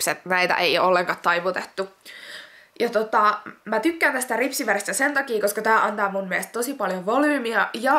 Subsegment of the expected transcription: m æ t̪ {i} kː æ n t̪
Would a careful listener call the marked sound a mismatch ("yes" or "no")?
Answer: yes